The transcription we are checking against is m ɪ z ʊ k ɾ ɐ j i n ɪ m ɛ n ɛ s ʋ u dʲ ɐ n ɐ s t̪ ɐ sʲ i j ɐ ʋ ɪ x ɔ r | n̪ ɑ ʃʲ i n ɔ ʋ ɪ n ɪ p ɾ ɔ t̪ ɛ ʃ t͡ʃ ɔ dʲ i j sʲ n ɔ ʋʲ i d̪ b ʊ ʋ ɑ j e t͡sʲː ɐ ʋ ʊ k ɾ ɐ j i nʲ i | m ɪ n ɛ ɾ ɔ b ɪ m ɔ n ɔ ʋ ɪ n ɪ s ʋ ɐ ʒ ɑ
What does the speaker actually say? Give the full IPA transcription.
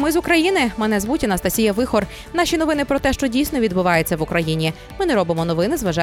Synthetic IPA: m ɪ z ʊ k ɾ ɐ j i n ɪ m ɛ n ɛ z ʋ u tʲ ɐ n ɐ s t̪ ɐ sʲ i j ɐ ʋ ɪ x ɔ r | n̪ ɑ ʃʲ i n ɔ ʋ ɪ n ɪ p ɾ ɔ t̪ ɛ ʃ t͡ʃ ɔ dʲ i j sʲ n ɔ ʋʲ i d̪ b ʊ ʋ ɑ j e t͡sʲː ɐ ʋ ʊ k ɾ ɐ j i nʲ i | m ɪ n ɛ ɾ ɔ b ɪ m ɔ n ɔ ʋ ɪ n ɪ z ʋ ɐ ʒ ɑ